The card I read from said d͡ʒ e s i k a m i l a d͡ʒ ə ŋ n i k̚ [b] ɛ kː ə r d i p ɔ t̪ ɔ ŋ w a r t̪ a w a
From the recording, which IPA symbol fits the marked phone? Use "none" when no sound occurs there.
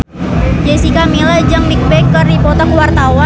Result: b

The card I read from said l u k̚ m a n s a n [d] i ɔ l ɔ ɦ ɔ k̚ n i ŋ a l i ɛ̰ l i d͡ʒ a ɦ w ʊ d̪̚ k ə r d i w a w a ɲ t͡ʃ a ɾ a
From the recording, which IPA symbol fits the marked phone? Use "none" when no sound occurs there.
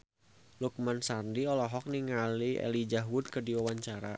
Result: d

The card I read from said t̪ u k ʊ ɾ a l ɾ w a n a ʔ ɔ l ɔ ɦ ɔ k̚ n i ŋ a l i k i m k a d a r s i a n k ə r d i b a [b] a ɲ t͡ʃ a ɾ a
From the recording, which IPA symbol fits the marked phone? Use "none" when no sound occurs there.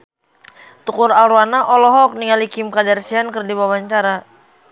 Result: w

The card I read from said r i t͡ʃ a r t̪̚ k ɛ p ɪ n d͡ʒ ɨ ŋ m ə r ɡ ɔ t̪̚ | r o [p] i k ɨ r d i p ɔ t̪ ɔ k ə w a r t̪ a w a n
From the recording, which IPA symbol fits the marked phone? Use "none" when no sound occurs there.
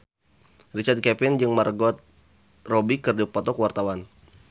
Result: b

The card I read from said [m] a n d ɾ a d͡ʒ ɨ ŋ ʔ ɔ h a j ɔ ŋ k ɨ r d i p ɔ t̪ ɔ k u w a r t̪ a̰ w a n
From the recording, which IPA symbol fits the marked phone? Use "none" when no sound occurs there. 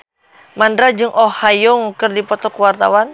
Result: m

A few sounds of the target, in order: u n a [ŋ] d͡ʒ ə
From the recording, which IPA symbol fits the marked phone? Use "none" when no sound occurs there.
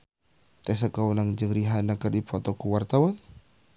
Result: ŋ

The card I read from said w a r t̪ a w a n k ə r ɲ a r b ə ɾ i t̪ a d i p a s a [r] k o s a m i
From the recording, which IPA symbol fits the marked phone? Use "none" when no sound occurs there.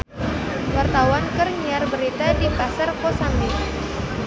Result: r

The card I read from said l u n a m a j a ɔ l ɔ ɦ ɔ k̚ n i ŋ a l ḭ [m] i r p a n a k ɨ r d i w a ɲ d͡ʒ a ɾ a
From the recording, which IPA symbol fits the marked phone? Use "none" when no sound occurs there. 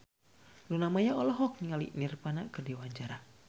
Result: n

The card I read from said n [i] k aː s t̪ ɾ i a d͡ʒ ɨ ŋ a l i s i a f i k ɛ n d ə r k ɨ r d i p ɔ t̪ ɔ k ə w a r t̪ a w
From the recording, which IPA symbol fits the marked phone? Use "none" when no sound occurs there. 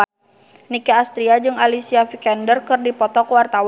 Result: i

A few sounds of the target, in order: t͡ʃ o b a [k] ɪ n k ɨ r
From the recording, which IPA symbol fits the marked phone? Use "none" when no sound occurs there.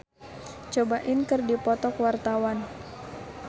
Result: ʔ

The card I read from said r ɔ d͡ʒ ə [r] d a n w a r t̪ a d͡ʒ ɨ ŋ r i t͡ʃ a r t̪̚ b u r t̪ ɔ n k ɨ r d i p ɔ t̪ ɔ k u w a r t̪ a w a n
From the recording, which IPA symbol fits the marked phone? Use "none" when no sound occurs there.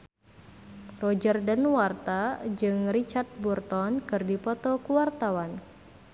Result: r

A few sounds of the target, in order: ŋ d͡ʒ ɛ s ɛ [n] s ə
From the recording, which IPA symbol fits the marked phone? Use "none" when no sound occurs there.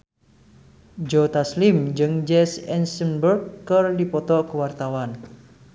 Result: n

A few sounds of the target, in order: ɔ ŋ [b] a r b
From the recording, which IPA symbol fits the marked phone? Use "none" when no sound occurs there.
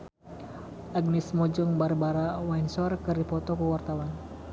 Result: b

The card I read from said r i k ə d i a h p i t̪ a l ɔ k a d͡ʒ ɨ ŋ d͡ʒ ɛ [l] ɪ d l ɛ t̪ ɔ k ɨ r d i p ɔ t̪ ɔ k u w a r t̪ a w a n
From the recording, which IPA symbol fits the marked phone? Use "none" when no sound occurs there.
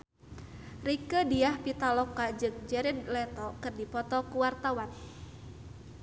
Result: ɾ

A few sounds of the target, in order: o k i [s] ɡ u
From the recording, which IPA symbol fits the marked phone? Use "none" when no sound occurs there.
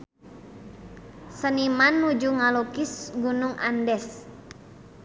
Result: s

